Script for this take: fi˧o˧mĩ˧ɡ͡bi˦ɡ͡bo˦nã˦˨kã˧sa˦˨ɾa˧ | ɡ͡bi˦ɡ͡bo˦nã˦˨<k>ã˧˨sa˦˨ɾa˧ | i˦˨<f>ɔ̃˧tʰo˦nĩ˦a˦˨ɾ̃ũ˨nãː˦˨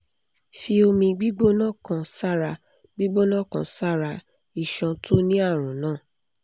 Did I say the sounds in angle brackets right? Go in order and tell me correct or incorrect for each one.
correct, incorrect

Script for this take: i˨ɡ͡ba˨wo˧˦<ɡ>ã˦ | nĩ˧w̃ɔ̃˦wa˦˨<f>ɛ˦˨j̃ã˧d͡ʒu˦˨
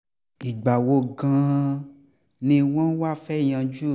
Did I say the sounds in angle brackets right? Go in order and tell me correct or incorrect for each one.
correct, correct

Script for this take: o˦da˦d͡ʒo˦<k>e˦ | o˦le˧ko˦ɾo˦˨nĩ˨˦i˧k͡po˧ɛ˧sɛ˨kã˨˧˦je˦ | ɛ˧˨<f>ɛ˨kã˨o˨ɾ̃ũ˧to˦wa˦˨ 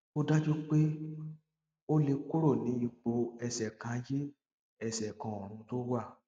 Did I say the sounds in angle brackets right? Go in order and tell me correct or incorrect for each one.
incorrect, incorrect

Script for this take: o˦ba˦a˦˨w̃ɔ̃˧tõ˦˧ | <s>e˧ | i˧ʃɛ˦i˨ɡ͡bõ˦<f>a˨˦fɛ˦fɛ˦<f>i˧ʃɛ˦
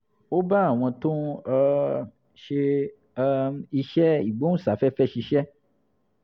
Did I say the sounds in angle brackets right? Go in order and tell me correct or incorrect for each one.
incorrect, incorrect, incorrect

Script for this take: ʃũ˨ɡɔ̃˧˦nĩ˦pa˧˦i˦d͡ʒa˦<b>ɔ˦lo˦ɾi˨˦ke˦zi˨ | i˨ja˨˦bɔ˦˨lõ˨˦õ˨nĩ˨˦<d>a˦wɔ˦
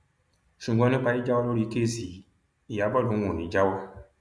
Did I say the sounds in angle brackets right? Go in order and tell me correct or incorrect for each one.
incorrect, incorrect

